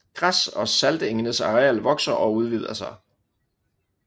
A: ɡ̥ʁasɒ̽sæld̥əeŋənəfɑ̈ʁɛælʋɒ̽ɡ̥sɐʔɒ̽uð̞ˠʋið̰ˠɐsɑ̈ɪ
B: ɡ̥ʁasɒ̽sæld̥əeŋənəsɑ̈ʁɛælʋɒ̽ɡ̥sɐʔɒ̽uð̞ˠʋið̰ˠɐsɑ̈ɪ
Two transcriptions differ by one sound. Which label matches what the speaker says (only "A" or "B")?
B